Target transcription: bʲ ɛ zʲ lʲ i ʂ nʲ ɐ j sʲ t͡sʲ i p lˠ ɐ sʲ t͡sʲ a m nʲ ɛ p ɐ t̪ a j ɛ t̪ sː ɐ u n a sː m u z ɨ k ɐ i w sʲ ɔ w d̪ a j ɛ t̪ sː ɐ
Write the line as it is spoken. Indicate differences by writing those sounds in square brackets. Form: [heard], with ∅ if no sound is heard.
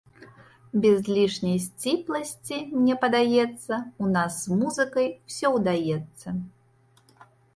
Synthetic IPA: bʲ ɛ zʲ lʲ i ʂ nʲ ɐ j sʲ t͡sʲ i p lˠ ɐ sʲ t͡sʲ [i] m nʲ ɛ p ɐ [d̪] a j ɛ t̪ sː ɐ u n a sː m u z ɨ k ɐ [j] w sʲ ɔ w d̪ a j ɛ t̪ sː ɐ